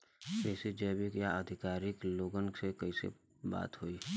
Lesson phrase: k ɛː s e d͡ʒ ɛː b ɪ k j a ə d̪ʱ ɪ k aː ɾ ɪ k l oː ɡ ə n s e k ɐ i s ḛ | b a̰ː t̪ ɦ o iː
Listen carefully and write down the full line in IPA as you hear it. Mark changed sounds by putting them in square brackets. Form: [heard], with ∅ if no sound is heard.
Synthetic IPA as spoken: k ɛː s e d͡ʒ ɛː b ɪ k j a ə d̪ʱ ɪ k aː ɾ ɪ k l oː ɡ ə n s e k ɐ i s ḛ | b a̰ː t̪ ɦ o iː